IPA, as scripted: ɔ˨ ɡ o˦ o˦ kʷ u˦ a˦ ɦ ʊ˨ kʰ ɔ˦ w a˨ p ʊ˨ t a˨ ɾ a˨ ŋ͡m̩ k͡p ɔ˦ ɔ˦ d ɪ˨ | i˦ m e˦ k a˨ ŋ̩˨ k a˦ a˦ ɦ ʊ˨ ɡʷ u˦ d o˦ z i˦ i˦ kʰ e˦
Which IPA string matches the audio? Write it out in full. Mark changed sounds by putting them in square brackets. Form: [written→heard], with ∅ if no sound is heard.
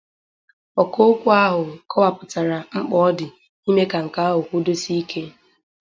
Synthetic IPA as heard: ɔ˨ [ɡ→k] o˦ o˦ kʷ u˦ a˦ ɦ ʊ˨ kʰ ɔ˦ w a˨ p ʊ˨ t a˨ ɾ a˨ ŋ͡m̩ k͡p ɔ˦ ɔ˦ d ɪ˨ | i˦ m e˦ k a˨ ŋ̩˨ k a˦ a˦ ɦ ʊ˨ [ɡʷ→kʷ] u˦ d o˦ [z→s] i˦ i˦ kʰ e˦